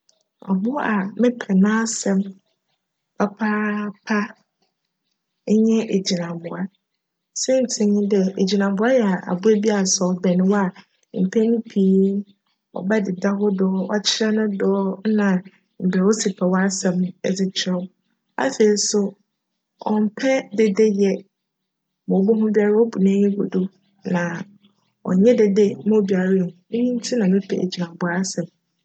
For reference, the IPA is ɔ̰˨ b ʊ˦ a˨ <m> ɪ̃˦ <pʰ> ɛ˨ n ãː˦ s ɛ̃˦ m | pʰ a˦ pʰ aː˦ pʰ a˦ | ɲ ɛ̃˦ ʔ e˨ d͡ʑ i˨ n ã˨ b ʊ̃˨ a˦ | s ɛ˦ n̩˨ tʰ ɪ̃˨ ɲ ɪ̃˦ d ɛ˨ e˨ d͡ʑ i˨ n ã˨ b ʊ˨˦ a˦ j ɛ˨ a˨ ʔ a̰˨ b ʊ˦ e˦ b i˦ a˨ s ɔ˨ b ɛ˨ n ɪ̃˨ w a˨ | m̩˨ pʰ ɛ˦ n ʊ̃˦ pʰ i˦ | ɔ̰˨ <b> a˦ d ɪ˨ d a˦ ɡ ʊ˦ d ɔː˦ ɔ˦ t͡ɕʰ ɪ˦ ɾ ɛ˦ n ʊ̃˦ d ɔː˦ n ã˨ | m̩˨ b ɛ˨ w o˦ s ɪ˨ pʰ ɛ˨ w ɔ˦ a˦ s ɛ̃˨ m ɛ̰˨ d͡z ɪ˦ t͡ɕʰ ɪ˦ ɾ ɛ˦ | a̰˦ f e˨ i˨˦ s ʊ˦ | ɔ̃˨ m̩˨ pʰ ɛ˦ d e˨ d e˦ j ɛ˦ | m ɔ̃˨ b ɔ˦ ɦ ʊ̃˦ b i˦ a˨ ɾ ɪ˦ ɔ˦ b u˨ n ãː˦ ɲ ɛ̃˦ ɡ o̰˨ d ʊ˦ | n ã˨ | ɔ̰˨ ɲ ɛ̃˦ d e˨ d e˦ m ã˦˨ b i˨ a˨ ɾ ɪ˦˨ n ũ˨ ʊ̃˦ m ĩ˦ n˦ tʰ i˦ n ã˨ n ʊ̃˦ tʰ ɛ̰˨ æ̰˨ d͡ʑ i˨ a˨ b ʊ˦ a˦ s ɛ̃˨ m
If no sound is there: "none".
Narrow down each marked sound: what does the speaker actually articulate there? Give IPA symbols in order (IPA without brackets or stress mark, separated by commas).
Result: m, pʰ, b